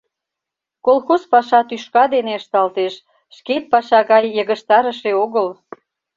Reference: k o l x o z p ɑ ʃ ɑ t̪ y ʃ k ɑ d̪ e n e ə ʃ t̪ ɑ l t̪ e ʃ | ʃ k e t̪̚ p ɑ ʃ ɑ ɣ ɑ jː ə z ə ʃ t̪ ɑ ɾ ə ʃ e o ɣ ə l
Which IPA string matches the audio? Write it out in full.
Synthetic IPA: k o l x o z p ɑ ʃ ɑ t̪ y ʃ k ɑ d̪ e n e ə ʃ t̪ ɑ l t̪ e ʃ | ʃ k e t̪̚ p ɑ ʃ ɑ ɣ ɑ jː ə ɣ ə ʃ t̪ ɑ ɾ ə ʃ e o ɣ ə l